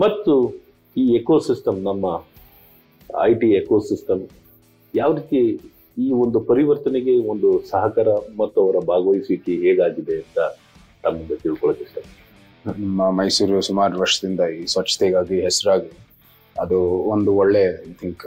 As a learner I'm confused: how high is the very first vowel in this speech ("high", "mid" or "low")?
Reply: low